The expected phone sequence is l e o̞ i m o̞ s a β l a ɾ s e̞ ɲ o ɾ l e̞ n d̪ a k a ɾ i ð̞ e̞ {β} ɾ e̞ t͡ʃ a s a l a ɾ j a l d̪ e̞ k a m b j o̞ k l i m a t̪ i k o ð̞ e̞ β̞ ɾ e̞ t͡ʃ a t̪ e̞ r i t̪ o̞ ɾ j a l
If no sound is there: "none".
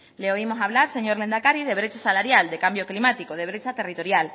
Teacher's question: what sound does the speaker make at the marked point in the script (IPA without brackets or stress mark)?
β